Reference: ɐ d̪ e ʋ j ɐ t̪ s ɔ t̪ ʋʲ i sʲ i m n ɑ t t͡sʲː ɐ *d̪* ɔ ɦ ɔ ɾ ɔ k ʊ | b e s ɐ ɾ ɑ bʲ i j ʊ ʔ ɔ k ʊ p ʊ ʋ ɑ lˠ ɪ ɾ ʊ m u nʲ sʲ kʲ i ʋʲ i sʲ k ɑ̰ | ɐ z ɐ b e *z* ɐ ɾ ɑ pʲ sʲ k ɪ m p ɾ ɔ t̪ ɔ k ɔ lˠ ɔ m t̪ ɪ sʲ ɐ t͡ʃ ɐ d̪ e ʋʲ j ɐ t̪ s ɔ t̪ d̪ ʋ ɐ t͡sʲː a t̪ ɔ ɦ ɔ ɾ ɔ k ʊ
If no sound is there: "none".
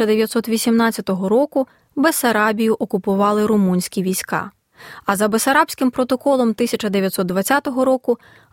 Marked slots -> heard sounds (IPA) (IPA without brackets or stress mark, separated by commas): t̪, s